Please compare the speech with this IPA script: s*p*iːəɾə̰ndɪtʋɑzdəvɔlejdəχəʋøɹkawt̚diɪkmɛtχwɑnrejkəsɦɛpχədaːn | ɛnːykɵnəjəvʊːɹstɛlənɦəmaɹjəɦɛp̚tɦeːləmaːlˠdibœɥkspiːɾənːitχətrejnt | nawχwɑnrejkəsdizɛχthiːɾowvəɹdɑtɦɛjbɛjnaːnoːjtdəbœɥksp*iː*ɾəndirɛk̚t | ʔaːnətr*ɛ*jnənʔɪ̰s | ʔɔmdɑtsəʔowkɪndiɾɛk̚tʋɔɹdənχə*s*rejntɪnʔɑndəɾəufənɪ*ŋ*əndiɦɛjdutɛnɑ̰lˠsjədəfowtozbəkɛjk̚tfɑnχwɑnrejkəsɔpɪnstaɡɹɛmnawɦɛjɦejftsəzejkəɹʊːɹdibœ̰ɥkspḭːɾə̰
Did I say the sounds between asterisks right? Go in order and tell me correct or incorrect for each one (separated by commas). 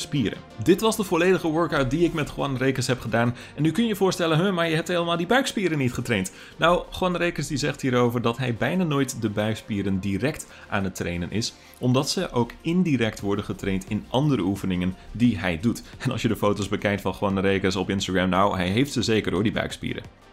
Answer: correct, correct, incorrect, incorrect, correct